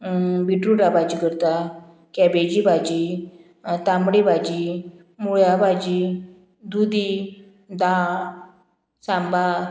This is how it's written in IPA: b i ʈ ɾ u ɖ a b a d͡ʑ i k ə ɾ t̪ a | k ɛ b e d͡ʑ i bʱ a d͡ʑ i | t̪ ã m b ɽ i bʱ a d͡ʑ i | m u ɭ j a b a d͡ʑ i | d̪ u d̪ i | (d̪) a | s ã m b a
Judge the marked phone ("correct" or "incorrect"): correct